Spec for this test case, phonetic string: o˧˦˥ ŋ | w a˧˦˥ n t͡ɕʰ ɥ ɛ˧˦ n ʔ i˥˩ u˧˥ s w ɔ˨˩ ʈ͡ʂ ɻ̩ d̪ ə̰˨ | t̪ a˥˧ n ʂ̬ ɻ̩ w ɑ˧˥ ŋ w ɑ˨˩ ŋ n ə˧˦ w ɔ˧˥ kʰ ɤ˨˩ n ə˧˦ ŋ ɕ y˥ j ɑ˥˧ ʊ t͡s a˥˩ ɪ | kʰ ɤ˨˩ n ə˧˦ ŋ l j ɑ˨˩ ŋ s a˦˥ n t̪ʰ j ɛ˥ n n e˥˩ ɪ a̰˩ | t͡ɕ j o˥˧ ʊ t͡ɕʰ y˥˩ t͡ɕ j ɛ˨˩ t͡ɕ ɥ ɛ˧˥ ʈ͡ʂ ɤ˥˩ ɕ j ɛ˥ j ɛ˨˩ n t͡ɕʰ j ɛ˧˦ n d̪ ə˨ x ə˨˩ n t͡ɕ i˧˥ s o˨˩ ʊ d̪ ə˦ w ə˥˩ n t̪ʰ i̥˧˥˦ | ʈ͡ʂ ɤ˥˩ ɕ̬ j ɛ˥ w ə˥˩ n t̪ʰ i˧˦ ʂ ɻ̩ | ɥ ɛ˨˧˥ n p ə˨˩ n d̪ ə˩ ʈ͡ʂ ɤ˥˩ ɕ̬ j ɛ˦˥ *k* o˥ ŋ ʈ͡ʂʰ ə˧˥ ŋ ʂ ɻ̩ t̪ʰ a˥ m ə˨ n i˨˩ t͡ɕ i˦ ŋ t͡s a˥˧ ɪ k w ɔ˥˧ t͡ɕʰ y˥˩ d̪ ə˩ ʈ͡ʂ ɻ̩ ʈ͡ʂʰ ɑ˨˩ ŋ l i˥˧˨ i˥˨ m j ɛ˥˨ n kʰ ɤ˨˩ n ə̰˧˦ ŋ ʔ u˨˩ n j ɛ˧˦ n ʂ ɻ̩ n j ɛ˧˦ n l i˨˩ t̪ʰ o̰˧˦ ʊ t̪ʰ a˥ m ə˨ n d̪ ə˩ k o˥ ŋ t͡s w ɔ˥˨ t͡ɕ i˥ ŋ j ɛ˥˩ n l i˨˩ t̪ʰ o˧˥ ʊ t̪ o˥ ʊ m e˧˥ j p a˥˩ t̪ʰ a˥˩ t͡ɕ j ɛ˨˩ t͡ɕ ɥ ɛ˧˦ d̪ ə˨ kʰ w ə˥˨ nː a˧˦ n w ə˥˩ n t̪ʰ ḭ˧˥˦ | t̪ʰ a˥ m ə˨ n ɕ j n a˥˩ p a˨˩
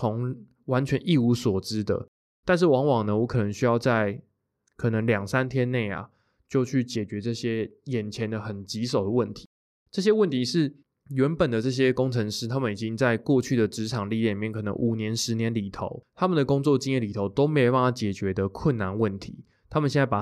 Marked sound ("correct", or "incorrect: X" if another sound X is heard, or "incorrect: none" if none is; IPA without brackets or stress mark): correct